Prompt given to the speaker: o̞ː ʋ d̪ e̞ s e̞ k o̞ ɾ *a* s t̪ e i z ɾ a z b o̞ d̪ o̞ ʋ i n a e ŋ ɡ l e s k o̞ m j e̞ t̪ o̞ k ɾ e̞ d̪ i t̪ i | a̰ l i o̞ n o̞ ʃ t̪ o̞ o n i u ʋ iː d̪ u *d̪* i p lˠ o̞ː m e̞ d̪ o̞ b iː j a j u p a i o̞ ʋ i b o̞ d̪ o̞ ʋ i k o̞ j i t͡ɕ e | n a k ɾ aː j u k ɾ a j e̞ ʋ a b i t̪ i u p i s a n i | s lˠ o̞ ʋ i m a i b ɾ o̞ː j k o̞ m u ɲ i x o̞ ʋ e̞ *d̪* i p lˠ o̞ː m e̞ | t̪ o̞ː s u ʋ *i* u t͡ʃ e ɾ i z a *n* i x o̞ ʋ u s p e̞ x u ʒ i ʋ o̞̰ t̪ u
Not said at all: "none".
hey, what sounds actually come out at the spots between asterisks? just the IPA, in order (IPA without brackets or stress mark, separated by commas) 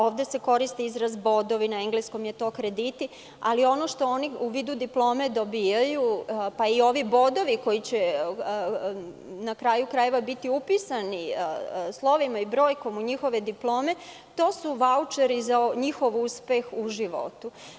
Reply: i, d̪, d̪, a, ɲ